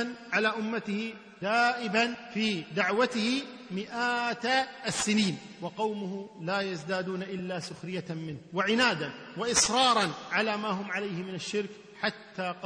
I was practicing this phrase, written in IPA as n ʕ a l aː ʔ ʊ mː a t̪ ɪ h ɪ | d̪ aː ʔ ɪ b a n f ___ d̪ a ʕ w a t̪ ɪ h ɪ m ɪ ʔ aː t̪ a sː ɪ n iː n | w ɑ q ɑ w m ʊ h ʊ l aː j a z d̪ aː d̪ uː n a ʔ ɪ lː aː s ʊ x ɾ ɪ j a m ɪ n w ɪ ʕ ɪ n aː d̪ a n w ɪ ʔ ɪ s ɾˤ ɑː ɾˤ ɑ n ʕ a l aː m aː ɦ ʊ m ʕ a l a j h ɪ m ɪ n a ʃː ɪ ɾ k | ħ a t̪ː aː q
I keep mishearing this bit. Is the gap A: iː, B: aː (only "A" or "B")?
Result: A